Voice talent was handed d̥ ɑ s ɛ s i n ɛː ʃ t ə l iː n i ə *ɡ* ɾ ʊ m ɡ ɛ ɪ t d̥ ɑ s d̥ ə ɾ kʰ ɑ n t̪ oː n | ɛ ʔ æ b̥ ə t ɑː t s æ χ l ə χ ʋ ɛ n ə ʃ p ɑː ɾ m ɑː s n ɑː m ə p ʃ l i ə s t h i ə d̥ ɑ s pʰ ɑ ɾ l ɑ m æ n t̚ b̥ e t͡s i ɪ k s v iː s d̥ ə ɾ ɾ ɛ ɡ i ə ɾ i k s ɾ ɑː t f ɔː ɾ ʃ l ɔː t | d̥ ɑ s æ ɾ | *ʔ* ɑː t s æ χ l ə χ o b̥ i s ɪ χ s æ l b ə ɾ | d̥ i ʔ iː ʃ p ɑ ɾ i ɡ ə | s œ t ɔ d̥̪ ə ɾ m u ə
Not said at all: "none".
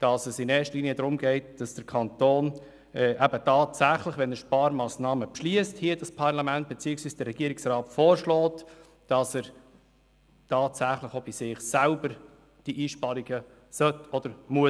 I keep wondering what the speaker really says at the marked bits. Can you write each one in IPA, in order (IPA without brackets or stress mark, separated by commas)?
d, t